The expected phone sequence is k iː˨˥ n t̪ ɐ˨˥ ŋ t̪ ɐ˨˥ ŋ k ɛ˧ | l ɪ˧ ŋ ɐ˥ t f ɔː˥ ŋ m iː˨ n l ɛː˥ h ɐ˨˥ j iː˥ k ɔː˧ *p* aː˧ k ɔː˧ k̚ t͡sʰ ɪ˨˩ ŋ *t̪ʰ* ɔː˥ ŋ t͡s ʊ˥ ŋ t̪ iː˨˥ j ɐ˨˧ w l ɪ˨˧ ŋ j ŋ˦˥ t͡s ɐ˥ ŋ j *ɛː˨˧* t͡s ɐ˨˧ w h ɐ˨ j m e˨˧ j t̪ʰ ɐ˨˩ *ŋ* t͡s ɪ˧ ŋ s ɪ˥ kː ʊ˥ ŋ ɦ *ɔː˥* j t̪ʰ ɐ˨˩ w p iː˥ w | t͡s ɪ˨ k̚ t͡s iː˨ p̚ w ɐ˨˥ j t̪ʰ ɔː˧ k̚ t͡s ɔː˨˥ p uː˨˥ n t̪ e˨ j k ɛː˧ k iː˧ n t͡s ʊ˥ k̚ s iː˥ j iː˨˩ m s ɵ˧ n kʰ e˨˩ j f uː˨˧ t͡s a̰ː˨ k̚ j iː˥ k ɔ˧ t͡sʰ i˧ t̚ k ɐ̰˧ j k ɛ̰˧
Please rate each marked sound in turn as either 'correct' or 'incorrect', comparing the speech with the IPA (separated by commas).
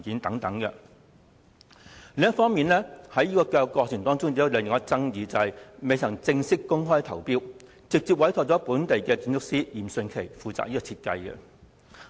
incorrect, incorrect, incorrect, correct, correct